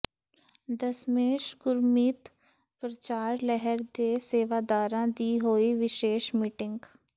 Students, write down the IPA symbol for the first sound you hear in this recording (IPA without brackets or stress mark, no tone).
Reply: d̪